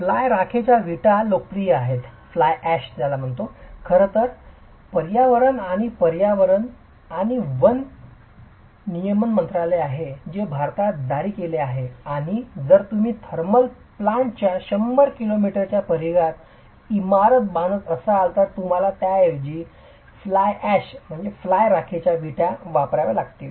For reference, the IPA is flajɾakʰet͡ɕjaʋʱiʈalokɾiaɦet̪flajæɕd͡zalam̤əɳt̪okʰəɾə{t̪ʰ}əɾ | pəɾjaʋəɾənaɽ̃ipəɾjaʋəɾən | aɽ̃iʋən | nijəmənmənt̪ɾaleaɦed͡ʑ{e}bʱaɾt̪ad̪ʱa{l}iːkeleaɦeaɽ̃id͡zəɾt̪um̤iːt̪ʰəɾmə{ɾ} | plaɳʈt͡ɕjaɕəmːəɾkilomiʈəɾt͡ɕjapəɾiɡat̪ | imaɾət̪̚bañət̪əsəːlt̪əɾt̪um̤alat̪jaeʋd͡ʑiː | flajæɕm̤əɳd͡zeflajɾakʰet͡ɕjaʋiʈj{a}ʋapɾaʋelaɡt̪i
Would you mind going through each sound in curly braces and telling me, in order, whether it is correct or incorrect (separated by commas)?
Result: incorrect, correct, incorrect, incorrect, correct